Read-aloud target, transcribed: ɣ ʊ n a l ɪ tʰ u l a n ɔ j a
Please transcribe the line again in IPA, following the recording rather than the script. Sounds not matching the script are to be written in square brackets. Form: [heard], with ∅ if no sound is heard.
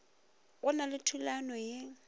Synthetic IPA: ɣ ʊ n a l ɪ tʰ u l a n ɔ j [e]

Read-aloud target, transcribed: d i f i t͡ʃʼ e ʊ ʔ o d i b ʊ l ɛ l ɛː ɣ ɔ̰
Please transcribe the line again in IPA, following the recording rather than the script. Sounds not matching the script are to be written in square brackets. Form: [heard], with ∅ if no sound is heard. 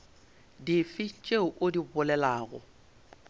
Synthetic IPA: d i f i t͡ʃʼ e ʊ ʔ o d i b ʊ l ɛ l [aː] ɣ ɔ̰

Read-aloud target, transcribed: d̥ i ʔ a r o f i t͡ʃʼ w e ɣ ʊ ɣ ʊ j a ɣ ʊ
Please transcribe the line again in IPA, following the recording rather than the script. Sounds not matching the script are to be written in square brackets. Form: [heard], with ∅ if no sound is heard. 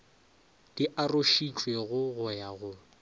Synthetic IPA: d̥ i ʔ a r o [ʃ] i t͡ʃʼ w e ɣ ʊ ɣ ʊ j a ɣ ʊ

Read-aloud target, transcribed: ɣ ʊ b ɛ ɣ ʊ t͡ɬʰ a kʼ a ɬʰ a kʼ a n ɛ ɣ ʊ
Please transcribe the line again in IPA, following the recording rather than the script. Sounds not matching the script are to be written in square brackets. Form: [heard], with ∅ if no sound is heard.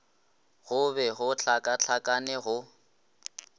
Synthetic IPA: ɣ ʊ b ɛ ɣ ʊ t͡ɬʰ a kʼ a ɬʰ a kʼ a n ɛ ɣ ʊ

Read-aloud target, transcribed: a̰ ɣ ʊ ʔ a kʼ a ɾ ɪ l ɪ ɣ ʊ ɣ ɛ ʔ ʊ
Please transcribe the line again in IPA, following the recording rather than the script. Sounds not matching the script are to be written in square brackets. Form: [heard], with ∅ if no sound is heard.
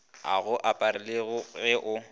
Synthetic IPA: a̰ ɣ ʊ ʔ a [pʼ] a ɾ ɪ l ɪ ɣ ʊ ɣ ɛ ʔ ʊ

